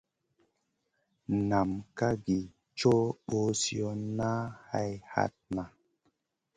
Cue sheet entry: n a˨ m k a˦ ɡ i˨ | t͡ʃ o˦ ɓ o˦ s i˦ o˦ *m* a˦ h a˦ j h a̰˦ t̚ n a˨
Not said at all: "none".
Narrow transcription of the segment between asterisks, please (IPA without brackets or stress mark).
n